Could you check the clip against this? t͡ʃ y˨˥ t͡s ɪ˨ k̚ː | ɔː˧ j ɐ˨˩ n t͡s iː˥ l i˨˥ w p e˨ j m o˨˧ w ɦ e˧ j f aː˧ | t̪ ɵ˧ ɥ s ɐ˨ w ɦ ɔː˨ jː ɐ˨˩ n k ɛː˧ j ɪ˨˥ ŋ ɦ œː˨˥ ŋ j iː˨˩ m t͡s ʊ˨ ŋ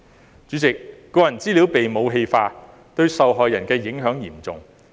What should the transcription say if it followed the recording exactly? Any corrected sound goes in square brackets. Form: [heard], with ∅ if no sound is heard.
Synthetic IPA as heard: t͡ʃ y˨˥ t͡s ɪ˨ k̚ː | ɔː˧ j ɐ˨˩ n t͡s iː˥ l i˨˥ w p e˨ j m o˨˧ w ɦ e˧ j f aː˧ | t̪ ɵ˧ ɥ s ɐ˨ w ɦ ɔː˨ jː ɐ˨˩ n k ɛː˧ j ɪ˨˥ ŋ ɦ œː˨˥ ŋ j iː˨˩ m t͡s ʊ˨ ŋ